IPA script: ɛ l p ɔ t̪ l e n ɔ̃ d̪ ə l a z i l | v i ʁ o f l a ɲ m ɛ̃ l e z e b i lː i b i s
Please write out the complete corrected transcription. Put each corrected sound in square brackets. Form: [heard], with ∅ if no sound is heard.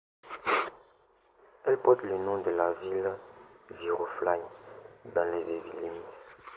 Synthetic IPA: ɛ l p ɔ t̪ l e n ɔ̃ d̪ ə l a [v] i l | v i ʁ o f l a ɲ [b] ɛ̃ l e z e [v] i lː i [m] i s